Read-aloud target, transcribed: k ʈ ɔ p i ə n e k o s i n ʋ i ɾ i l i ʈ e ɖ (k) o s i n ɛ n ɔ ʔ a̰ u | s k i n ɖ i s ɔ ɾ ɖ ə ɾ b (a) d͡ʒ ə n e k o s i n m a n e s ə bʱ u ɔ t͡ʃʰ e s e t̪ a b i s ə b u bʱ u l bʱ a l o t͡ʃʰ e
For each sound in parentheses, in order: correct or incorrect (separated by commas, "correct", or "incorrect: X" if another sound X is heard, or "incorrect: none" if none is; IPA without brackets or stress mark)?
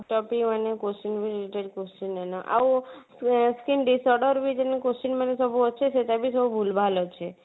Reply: correct, incorrect: i